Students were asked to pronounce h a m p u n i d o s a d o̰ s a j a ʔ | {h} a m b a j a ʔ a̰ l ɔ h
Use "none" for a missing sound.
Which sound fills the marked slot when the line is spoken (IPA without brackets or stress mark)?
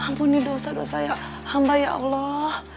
h